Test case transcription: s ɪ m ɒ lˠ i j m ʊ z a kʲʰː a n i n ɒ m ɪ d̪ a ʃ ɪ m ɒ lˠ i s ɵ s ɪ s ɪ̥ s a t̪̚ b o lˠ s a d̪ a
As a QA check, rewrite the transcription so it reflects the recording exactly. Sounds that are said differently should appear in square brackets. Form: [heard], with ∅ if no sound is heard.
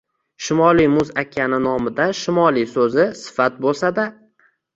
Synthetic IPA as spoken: [ʃ] ɪ m ɒ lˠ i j m ʊ z a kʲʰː a n [ɪ] n ɒ m ɪ d̪ a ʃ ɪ m ɒ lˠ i s ɵ [z] ɪ s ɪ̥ [f] a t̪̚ b o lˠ s a d̪ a